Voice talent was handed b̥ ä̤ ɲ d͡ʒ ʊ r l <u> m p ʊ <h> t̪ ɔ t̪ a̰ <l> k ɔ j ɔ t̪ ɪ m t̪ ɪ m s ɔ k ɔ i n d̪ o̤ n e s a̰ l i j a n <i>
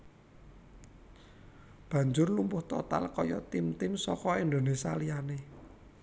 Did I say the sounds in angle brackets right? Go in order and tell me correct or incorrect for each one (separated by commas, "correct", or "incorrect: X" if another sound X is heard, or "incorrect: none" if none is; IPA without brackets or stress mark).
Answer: correct, correct, correct, incorrect: e